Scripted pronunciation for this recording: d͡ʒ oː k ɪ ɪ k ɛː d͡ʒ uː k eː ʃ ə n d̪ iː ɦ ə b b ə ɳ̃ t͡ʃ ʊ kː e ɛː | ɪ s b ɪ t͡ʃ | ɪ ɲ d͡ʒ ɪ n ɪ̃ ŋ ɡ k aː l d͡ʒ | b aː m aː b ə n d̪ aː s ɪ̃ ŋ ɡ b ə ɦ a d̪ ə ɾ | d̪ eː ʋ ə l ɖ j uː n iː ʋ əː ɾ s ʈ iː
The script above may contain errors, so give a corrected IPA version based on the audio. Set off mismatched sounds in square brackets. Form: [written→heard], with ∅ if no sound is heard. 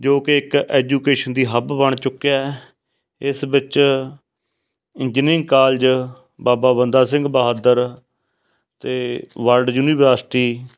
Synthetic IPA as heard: d͡ʒ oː k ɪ ɪ k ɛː d͡ʒ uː k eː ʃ ə n d̪ iː ɦ ə b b ə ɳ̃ t͡ʃ ʊ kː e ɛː | ɪ s b ɪ t͡ʃ | ɪ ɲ d͡ʒ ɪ n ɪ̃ ŋ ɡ k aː l d͡ʒ | b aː [m→b] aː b ə n d̪ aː s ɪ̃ ŋ ɡ b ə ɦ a d̪ ə ɾ | [d̪→t̪] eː ʋ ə l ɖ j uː n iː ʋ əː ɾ s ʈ iː